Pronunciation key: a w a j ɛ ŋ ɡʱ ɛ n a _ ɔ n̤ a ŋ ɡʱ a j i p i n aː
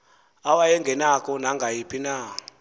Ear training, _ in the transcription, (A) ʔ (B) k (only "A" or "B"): B